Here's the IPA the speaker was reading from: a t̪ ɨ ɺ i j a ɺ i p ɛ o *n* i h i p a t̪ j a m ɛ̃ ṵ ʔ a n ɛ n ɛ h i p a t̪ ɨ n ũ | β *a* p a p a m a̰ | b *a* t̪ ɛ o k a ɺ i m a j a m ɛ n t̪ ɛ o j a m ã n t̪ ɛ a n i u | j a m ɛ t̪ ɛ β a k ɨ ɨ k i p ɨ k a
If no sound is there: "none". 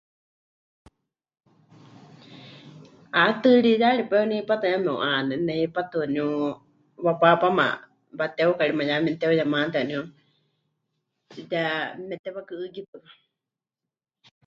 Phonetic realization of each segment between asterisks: n, a, a

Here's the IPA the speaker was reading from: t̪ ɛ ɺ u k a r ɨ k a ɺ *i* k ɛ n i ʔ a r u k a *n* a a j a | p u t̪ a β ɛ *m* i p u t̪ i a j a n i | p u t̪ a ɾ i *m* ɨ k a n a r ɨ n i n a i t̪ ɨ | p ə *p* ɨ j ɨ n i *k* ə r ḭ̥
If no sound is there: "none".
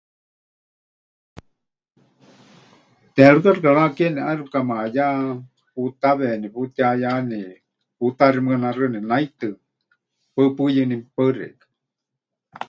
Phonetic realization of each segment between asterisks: a, m, n, m, p, p

